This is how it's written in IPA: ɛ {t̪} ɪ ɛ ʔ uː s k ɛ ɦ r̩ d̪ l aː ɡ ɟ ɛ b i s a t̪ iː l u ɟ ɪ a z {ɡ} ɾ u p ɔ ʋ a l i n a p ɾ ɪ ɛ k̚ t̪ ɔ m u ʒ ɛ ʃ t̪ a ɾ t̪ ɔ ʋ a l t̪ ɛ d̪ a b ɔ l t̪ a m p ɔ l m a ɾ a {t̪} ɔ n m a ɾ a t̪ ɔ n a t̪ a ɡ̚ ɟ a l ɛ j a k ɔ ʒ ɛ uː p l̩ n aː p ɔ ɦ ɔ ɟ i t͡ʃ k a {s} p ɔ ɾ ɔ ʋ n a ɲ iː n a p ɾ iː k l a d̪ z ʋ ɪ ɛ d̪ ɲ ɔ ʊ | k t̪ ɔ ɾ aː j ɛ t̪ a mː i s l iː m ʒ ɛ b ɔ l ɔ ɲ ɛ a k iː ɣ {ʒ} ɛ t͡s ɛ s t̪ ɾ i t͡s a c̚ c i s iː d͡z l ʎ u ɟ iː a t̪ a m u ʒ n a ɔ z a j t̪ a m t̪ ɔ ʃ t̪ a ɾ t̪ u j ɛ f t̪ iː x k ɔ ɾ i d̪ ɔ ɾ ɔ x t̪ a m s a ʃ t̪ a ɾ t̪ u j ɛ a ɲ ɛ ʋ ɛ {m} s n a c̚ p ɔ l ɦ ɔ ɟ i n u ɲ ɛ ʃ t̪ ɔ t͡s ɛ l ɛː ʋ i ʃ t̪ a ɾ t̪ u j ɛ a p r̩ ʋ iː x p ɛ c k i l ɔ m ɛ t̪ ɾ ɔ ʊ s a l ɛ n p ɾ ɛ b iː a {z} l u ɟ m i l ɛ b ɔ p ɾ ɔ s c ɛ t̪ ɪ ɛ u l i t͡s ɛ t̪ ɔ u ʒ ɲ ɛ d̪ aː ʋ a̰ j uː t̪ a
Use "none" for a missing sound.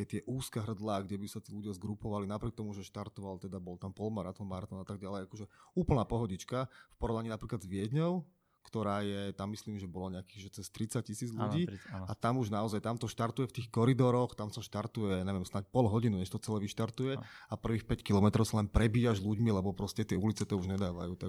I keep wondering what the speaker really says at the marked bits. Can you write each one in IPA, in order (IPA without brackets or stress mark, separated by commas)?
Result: t̪, ɡ, t̪, f, ʒ, m, ʒ